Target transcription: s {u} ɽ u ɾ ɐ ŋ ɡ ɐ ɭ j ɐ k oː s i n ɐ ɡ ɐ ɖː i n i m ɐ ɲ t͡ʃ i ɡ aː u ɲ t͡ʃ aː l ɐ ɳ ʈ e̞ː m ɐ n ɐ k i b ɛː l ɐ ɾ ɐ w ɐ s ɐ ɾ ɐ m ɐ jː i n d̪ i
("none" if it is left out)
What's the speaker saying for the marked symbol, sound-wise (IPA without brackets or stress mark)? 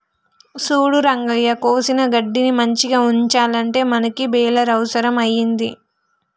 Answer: uː